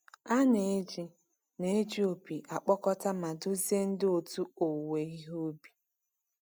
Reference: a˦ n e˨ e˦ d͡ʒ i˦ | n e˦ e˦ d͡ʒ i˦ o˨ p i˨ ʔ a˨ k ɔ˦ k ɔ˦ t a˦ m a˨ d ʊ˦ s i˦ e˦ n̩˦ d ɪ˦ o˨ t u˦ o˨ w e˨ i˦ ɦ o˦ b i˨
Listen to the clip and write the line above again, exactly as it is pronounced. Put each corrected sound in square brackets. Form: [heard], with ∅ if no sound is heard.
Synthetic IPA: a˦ n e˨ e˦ d͡ʒ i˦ | n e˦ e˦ d͡ʒ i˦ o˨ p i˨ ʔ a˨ [k͡p] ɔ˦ k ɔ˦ t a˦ m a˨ d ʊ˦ [z] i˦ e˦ n̩˦ d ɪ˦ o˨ t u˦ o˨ w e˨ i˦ ɦ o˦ b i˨